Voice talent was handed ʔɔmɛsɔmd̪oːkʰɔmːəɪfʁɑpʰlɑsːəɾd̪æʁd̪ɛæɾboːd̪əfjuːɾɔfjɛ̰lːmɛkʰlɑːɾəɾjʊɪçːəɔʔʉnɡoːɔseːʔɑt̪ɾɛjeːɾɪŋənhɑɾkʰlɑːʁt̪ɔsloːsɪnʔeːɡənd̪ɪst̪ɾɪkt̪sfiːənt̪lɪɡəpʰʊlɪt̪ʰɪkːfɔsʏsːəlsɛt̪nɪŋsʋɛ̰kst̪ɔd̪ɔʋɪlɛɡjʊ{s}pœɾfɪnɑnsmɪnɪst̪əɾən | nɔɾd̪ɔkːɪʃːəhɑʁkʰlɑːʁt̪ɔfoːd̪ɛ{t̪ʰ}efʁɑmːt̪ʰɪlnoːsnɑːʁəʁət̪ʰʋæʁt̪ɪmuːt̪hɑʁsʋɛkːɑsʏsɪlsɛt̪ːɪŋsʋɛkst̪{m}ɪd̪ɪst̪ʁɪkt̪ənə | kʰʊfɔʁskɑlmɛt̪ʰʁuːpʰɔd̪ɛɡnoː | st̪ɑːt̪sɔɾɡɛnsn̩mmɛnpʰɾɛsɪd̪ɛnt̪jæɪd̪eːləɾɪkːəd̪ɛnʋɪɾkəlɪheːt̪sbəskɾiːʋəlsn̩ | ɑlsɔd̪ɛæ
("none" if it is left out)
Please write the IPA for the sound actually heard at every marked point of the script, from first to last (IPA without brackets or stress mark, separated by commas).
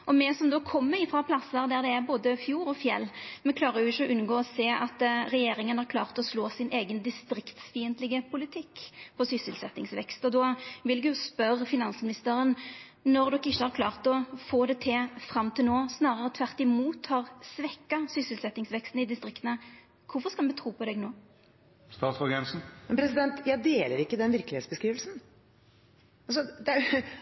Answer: s, t̪ʰ, n